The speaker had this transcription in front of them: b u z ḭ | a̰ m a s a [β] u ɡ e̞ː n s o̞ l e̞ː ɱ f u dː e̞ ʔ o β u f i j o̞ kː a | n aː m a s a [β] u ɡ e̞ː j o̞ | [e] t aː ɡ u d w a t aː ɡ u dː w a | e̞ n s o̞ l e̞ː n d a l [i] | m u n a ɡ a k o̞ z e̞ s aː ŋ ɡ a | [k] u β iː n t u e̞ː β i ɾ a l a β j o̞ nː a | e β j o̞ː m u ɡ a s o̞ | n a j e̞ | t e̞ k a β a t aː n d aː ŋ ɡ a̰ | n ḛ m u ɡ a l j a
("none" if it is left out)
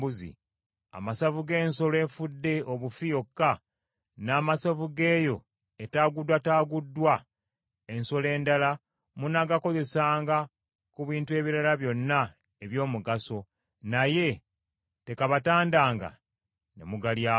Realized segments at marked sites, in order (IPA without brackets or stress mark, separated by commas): v, v, e, a, k